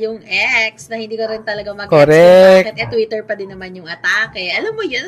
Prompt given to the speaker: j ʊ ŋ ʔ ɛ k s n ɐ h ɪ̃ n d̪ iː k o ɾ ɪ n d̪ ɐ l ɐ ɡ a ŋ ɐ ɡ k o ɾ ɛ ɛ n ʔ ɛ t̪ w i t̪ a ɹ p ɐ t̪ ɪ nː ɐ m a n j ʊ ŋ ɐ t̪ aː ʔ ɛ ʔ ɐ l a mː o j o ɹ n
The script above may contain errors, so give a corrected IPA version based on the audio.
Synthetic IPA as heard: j ʊ ŋ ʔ ɛ k s n ɐ h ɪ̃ n d̪ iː k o ɾ ɪ n t̪ ɐ l ɐ ɡ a m ɐ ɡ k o ɾ ɛ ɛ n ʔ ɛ t̪ w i t̪ ɛ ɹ p ɐ d̪ ɪ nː ɐ m a n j ʊ ŋ ɐ t̪ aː k ɛ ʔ ɐ l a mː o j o n